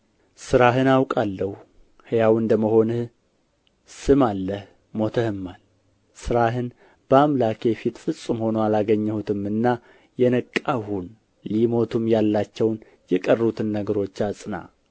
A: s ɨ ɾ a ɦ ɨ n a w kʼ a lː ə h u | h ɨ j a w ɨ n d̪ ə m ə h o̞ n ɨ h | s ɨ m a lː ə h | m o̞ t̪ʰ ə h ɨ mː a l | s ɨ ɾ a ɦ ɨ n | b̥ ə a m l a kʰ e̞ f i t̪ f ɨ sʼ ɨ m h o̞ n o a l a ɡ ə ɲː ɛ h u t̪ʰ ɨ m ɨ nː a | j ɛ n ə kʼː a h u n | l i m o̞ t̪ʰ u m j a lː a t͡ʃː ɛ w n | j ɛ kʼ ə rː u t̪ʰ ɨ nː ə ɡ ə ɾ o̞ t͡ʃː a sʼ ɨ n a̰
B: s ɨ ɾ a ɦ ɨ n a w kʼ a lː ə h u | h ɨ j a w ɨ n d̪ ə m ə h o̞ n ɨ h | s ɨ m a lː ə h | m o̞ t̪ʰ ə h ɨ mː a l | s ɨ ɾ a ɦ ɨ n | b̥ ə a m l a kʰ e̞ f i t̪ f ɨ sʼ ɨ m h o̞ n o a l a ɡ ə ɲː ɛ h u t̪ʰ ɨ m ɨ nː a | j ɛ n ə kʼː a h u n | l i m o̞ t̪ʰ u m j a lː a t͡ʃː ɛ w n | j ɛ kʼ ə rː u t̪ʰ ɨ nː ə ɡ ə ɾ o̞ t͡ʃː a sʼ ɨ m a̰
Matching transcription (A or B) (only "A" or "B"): A